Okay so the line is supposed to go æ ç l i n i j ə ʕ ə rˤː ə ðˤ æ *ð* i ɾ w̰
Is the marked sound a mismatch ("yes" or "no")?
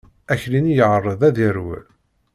no